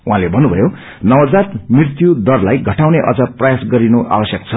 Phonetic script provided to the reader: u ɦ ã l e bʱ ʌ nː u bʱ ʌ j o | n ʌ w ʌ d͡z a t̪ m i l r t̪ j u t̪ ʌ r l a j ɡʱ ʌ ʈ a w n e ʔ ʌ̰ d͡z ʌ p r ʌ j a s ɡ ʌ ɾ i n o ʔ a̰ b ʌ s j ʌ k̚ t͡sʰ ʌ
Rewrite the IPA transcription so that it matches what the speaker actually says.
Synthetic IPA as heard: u ɦ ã l e bʱ ʌ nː u bʱ ʌ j o | n ʌ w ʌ d͡z a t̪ m i r t̪ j u d̪ ʌ r l a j ɡʱ ʌ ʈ a w n e ʔ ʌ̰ d͡z ʌ p r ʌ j a s ɡ ʌ ɾ i n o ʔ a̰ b ʌ s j ʌ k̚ t͡sʰ ʌ